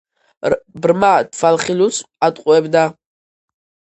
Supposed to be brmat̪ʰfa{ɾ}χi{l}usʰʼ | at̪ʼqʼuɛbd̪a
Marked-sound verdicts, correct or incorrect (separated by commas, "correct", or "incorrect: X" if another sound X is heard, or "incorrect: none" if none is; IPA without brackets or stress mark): incorrect: l, correct